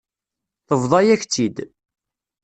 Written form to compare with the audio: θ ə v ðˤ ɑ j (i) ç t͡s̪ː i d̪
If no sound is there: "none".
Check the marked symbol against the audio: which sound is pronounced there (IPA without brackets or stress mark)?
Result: æ